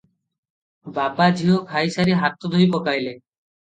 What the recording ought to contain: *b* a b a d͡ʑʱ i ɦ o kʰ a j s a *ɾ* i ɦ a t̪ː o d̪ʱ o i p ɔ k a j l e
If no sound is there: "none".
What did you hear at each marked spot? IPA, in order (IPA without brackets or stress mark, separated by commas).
b, ɾ